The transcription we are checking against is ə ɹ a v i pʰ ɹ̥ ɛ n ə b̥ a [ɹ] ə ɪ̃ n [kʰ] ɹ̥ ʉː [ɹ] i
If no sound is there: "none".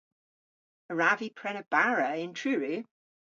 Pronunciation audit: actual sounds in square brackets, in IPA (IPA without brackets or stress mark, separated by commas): ɹ, tʰ, ɹ